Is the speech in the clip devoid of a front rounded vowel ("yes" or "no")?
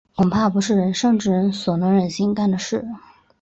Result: yes